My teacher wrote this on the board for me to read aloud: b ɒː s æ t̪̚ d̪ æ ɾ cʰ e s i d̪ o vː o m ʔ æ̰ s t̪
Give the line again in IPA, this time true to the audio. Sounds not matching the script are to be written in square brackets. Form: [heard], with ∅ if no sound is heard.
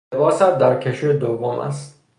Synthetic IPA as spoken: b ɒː s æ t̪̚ d̪ æ ɾ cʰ e [ʃ] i d̪ o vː o m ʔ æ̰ s t̪